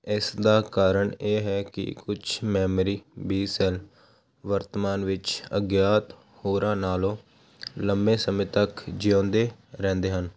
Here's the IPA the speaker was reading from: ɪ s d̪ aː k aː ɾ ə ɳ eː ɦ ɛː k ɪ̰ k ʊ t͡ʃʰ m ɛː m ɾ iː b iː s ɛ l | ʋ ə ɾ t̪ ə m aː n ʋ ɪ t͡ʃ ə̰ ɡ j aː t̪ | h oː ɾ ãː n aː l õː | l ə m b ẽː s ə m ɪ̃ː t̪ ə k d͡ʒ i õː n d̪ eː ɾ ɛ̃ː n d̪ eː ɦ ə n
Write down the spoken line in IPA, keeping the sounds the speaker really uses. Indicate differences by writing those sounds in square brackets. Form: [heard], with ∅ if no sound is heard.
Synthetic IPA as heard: ɪ s d̪ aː k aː ɾ ə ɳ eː ɦ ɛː k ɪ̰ k ʊ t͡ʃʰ m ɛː m ɾ iː b iː s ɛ l | ʋ ə ɾ t̪ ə m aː n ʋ ɪ t͡ʃ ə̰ ɡ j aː t̪ | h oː ɾ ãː n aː l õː | l ə m b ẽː s ə m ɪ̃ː t̪ ə k d͡ʒ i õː n d̪ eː ɾ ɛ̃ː n d̪ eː ɦ ə n